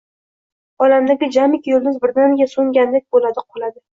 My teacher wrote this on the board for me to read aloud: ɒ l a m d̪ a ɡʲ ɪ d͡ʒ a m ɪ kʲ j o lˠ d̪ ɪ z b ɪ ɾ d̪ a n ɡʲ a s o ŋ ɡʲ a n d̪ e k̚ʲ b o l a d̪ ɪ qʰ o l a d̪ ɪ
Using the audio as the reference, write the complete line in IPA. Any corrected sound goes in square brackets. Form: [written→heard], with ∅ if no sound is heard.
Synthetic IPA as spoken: ɒ l a m d̪ a ɡʲ ɪ d͡ʒ a m ɪ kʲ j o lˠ d̪ ɪ z b ɪ ɾ d̪ a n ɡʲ a s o ŋ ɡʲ a n d̪ e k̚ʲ b o l a d̪ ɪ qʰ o l a d̪ ɪ